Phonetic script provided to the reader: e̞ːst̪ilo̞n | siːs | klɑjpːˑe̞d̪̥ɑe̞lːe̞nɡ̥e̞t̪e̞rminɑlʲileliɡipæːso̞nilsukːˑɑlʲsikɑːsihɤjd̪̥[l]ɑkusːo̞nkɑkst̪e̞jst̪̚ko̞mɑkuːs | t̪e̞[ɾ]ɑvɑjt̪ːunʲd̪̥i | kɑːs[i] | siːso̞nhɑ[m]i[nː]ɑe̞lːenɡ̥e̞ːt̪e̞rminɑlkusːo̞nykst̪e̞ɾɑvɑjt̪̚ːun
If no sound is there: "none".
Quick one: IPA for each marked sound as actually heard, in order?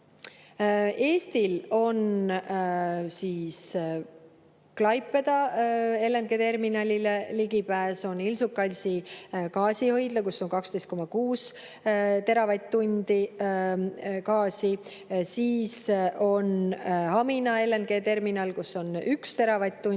l, ɾ, i, m, n

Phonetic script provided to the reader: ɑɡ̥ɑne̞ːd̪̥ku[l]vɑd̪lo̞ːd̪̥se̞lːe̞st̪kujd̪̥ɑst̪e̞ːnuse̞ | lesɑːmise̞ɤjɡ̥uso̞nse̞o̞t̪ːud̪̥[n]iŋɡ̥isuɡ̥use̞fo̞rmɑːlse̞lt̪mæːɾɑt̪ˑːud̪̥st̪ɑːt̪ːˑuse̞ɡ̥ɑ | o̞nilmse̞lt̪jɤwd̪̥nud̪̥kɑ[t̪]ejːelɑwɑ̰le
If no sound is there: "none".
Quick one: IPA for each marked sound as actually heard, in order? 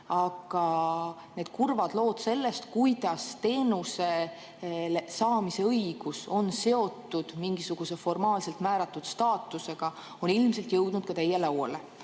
r, m, t̪

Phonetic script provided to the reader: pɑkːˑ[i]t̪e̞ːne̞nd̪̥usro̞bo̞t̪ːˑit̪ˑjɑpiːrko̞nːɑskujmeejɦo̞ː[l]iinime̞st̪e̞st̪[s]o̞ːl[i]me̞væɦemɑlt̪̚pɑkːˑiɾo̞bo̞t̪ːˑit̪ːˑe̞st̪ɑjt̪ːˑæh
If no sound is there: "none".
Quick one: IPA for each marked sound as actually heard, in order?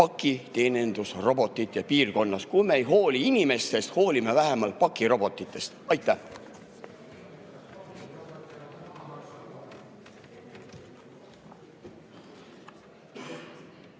i, l, h, i

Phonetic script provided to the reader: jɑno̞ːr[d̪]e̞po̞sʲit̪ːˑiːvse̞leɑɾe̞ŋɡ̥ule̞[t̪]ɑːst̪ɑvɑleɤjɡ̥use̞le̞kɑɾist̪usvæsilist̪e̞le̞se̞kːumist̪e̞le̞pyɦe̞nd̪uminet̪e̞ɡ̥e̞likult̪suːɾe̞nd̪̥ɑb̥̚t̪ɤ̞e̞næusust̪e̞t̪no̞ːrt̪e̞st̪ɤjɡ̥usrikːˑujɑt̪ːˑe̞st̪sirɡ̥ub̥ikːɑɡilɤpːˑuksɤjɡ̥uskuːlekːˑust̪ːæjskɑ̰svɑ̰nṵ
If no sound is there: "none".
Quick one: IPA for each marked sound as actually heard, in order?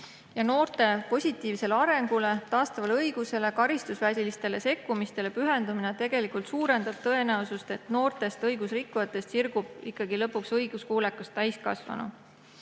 t̪, t̪

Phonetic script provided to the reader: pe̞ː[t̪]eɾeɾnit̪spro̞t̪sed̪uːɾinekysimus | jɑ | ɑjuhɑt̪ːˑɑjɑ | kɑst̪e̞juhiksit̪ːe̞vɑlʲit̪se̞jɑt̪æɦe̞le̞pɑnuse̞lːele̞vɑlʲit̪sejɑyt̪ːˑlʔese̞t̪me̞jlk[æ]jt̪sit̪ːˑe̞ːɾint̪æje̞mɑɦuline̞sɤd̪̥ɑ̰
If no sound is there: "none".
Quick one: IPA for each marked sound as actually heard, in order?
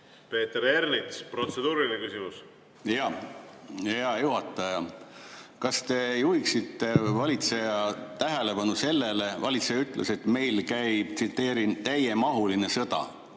t̪, æ

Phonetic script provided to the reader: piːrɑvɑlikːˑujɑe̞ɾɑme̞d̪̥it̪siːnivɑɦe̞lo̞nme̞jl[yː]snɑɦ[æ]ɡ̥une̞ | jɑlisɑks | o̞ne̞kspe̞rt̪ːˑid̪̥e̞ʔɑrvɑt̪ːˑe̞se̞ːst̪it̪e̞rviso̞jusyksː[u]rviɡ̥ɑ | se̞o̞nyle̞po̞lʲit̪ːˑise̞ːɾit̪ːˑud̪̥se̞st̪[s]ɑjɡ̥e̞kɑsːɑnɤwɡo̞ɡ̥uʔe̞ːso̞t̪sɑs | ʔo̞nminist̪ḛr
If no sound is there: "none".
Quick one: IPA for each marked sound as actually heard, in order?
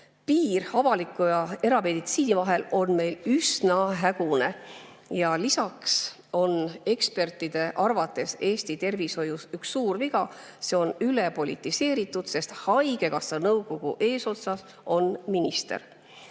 y, æ, uː, h

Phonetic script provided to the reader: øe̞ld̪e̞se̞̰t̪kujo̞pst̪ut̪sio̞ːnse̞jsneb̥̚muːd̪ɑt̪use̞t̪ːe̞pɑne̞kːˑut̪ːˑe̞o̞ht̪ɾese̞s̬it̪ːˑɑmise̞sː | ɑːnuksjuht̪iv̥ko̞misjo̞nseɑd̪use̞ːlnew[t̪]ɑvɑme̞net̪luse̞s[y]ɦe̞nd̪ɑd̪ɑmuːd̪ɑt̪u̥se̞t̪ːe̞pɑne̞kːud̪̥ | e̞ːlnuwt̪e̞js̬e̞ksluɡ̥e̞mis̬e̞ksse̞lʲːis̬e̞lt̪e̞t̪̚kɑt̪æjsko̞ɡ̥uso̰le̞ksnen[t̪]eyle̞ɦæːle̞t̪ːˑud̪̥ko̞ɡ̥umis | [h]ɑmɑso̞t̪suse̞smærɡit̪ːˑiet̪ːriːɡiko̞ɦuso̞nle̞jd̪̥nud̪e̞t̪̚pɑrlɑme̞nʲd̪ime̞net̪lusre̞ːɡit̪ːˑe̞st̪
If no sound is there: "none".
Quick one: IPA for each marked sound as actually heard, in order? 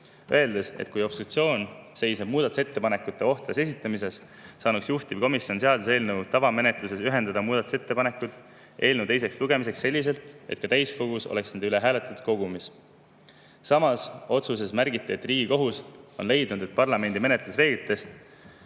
t̪, y, d̪, s

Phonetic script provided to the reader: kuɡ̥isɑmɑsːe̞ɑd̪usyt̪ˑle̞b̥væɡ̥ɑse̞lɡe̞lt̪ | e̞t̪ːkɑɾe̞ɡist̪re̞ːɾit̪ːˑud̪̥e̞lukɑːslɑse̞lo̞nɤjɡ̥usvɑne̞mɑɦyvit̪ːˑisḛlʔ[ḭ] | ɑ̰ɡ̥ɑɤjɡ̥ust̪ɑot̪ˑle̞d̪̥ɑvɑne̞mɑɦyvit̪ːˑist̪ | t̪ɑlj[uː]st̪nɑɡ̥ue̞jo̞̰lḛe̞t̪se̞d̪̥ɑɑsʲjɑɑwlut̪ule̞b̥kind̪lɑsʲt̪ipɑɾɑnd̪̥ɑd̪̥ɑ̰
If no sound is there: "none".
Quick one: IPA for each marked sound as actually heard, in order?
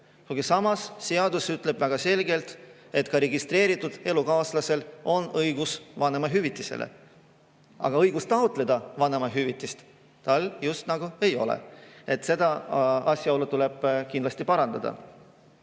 ḛ, u

